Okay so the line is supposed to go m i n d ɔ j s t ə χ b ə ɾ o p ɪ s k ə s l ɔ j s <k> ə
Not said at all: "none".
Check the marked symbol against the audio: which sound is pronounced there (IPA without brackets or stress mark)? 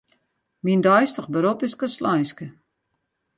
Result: k